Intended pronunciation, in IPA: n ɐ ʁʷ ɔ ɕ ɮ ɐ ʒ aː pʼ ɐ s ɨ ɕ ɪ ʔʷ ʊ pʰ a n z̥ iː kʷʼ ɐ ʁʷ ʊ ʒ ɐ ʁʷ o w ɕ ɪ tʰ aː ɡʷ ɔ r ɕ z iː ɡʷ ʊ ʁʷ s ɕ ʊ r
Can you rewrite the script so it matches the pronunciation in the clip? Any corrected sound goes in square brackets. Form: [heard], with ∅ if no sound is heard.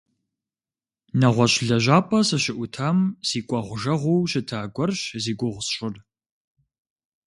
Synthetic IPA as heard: n ɐ ʁʷ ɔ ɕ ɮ ɐ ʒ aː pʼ ɐ s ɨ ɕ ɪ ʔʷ ʊ [tʰ] a [m] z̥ iː kʷʼ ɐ ʁʷ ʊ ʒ ɐ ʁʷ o w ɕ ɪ tʰ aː ɡʷ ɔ r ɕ z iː ɡʷ ʊ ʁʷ s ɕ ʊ r